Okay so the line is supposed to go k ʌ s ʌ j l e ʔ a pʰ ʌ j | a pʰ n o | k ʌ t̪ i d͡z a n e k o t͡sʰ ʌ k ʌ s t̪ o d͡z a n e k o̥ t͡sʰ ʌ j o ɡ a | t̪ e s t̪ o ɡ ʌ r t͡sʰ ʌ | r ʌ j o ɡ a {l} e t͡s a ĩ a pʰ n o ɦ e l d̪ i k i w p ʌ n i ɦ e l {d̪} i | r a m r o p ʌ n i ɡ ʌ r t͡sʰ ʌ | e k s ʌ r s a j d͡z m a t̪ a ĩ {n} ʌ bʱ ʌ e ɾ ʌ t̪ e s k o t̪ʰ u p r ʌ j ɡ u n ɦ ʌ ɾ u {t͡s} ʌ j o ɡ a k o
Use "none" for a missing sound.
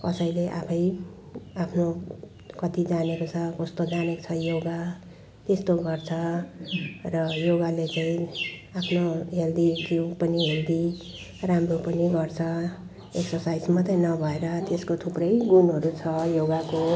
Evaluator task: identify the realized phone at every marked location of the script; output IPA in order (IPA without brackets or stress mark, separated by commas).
l, d̪, n, t͡sʰ